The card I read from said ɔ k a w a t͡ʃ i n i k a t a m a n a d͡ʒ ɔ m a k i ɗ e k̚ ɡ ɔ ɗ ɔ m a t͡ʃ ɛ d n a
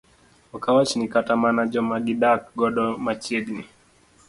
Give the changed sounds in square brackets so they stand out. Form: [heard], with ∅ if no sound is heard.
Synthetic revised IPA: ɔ k a w a t͡ʃ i n i k a t a m a n a d͡ʒ ɔ m a [ɡ] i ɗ [a] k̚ ɡ ɔ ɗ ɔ m a t͡ʃ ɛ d n [i]